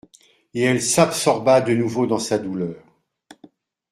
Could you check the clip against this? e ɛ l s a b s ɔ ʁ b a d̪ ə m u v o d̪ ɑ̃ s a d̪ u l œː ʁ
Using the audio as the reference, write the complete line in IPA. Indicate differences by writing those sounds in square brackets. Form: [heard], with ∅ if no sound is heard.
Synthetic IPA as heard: e ɛ l s a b s ɔ ʁ b a d̪ ə [n] u v o d̪ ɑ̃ s a d̪ u l œː ʁ

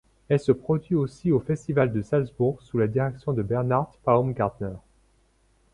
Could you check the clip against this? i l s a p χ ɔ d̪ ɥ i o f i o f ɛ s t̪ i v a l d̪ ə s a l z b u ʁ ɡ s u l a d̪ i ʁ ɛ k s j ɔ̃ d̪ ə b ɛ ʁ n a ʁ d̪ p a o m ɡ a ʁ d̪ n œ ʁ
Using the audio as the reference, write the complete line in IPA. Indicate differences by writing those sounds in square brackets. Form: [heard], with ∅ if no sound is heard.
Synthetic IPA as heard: [ɛ] l s [ə] p χ ɔ d̪ ɥ i o [s] i o f ɛ s t̪ i v a l d̪ ə s a l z b u ʁ ɡ s u l a d̪ i ʁ ɛ k s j ɔ̃ d̪ ə b ɛ ʁ n a ʁ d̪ p a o m ɡ a ʁ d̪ n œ ʁ

